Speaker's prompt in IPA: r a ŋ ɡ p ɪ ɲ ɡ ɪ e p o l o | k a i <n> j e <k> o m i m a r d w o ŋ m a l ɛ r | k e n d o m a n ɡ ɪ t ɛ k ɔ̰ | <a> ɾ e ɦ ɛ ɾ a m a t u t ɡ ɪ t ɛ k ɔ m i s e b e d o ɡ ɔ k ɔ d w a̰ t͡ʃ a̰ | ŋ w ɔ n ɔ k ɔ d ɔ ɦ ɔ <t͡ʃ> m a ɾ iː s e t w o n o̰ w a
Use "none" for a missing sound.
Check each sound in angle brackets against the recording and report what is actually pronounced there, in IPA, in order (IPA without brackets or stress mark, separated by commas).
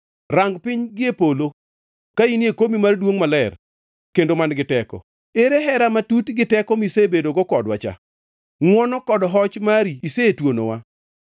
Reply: n, k, e, t͡ʃ